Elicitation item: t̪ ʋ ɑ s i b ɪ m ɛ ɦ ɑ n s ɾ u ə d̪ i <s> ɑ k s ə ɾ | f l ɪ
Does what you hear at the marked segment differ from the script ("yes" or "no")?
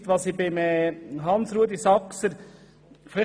no